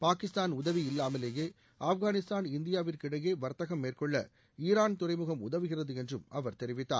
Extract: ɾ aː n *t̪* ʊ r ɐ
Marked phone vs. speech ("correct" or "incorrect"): correct